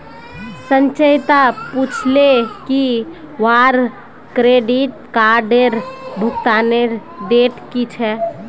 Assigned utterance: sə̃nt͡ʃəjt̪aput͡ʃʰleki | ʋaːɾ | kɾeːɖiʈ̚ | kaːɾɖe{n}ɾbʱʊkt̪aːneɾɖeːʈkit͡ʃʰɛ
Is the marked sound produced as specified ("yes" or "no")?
no